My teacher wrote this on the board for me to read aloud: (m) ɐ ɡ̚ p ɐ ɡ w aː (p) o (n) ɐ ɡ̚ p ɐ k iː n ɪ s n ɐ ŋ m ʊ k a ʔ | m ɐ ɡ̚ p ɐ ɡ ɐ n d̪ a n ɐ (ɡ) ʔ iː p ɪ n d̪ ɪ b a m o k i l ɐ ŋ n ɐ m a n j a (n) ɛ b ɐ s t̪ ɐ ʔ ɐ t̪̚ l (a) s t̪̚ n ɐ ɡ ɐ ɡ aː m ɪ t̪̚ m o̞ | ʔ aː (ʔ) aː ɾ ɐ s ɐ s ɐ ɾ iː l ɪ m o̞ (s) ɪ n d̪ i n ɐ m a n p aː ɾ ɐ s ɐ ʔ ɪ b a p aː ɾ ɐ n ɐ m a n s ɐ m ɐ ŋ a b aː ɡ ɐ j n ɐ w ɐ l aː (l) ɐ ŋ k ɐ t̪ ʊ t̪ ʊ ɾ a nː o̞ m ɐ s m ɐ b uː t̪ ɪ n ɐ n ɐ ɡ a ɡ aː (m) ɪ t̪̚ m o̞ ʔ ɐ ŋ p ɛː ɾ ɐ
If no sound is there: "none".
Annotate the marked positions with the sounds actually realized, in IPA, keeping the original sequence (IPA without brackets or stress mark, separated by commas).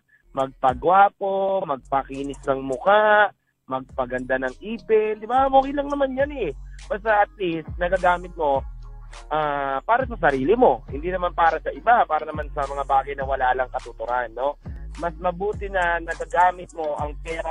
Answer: m, p, m, ŋ, n, i, p, h, l, m